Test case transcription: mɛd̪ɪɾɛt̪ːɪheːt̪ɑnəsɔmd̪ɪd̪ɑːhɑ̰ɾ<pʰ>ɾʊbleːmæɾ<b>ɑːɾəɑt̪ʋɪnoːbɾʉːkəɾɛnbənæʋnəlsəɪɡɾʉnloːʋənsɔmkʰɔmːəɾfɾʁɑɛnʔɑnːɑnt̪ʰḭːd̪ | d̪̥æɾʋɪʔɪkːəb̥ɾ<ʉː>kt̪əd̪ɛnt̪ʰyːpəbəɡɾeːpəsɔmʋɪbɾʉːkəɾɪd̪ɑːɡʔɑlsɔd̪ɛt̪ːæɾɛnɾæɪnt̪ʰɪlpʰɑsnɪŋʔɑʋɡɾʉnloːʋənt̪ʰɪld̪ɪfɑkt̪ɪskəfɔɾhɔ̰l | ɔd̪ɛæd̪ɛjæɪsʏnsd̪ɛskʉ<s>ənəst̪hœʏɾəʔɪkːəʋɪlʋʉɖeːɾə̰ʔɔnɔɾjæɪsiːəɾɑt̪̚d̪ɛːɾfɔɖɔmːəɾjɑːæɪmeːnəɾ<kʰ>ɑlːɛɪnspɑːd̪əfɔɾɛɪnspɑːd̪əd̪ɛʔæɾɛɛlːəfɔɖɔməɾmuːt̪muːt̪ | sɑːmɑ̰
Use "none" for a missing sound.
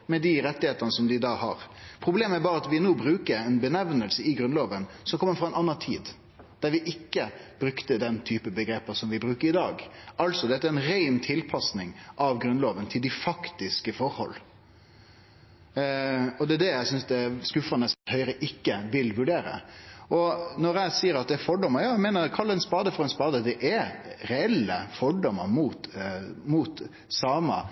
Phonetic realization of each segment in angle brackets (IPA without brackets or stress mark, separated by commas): pʰ, b, ʉ, f, kʰ